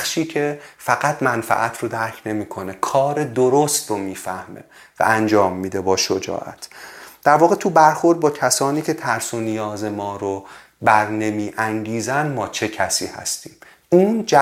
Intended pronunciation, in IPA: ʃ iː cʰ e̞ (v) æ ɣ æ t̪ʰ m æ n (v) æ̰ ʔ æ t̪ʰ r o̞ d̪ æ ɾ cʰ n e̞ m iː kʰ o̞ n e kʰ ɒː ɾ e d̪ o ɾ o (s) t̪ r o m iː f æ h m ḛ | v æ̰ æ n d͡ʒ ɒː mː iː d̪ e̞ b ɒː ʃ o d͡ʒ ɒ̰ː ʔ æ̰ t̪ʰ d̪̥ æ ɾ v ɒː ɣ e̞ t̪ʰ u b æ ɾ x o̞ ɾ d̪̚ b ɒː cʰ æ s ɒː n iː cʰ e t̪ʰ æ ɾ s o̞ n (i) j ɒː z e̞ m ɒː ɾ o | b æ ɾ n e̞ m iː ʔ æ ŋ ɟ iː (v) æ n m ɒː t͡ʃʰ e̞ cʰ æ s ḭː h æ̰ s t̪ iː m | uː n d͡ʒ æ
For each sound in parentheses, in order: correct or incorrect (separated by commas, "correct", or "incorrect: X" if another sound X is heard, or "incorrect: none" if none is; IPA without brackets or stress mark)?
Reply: incorrect: f, incorrect: f, correct, correct, incorrect: z